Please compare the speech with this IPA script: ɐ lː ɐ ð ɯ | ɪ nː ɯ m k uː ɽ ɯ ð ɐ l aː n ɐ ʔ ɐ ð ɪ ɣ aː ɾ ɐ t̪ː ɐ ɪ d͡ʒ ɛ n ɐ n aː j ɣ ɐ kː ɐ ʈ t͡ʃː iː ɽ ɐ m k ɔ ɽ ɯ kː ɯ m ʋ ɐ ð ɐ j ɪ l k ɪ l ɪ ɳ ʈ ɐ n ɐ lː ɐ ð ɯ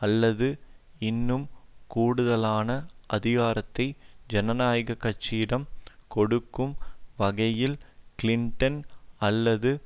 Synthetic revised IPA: ɐ lː ɐ ð ɯ | ɪ nː ɯ m k uː ɽ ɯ ð ɐ l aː n ɐ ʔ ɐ ð ɪ ɣ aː ɾ ɐ t̪ː ɐ ɪ d͡ʒ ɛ n ɐ n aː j ɣ ɐ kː ɐ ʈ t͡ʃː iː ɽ ɐ m k ɔ ɽ ɯ kː ɯ m ʋ ɐ ɣ ɐ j ɪ l k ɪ l ɪ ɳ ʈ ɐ n ɐ lː ɐ ð ɯ